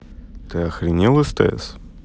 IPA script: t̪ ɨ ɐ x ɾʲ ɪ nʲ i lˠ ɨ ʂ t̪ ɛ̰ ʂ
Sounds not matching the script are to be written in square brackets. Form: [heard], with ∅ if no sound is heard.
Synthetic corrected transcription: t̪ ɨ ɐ x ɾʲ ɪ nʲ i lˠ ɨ [s] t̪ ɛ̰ [s]